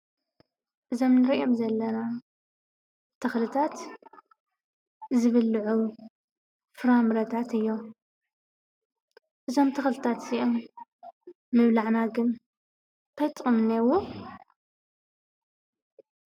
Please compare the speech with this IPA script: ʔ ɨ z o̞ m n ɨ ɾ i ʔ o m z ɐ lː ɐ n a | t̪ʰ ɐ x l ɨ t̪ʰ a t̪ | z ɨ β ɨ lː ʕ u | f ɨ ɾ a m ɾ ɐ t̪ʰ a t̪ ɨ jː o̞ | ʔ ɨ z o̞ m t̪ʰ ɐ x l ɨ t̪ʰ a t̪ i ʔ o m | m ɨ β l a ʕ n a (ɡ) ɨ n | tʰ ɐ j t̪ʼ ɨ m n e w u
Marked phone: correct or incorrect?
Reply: correct